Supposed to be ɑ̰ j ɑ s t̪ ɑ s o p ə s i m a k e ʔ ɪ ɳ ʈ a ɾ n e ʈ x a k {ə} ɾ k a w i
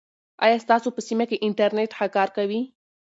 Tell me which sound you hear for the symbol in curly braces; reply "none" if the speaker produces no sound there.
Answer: ɑ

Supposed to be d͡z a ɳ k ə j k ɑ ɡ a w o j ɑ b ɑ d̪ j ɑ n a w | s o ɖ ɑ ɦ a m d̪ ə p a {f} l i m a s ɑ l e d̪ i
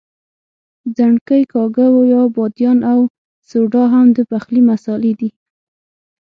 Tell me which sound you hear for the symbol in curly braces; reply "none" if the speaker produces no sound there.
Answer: x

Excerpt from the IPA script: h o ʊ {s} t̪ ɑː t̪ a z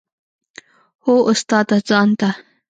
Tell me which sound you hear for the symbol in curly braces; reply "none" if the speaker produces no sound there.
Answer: s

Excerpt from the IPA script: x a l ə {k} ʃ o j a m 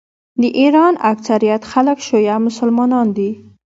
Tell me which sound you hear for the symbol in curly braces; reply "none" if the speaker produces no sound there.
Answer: k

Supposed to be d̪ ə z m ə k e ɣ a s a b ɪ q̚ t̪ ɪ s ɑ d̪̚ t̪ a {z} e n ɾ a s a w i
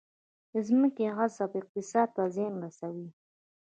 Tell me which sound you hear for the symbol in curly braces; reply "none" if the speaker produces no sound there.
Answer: z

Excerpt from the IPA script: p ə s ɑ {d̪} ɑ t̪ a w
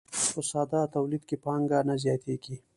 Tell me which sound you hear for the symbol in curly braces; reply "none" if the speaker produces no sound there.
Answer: d̪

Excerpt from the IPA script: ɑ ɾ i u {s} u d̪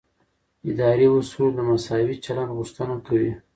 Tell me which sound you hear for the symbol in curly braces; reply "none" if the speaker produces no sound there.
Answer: s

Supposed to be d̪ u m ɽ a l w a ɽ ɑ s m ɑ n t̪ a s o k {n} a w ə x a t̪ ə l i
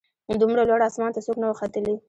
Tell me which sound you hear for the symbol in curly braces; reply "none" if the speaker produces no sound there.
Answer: n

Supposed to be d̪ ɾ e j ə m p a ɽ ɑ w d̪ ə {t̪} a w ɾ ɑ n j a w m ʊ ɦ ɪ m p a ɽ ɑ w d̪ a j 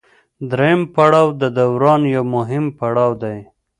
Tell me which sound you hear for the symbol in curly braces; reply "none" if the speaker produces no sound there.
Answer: d̪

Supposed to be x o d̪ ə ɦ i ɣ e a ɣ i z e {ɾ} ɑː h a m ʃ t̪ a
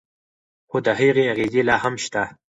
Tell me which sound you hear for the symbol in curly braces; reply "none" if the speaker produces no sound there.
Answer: l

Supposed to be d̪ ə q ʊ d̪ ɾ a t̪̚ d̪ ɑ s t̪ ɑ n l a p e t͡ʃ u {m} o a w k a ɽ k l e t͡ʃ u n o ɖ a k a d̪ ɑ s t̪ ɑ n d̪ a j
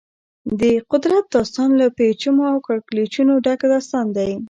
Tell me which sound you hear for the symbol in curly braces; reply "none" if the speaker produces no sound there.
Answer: m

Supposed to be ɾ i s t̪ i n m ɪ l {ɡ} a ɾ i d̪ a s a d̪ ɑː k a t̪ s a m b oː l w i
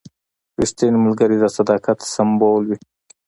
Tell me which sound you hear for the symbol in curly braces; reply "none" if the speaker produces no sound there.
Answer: ɡ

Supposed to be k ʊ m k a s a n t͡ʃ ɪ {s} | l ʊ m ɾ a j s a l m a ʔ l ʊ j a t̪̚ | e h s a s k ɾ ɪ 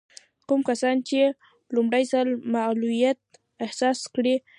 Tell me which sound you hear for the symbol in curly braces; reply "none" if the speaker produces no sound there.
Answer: none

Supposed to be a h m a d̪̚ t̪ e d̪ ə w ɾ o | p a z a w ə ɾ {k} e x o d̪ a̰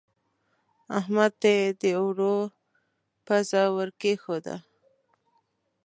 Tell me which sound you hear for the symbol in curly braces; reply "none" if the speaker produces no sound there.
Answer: k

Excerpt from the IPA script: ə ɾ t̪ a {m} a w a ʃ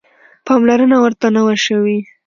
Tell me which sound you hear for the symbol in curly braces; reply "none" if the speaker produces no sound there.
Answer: n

